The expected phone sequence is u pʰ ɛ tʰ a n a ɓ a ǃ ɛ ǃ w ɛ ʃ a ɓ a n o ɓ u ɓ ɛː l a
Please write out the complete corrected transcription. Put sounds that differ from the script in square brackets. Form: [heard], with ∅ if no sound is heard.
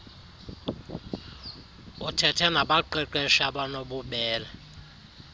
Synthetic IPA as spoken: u [tʰ] ɛ tʰ [ɛ] n a ɓ a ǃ ɛ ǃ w ɛ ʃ a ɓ a n o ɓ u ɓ ɛː l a